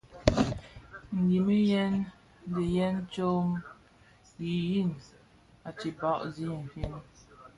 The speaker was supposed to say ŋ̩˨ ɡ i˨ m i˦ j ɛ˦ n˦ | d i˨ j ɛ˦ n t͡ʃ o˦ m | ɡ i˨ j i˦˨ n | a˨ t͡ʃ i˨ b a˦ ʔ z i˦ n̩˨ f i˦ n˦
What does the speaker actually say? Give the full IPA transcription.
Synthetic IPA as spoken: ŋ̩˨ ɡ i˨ m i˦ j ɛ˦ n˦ | d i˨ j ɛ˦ n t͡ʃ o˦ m | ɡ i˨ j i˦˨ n | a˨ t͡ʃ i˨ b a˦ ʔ z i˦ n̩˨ f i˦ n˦